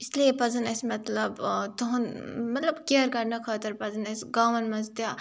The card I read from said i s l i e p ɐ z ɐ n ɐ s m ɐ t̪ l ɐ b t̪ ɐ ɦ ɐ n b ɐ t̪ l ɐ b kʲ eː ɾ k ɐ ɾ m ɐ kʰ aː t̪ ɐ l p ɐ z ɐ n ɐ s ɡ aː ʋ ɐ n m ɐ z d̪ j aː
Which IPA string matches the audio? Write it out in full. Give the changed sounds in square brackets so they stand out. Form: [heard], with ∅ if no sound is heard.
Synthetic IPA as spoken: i s l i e p ɐ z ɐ n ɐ s m ɐ t̪ l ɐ b t̪ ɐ ɦ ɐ n [m] ɐ t̪ l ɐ b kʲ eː ɾ k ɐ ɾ [n] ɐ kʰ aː t̪ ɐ [ɾ] p ɐ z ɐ n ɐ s ɡ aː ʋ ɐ n m ɐ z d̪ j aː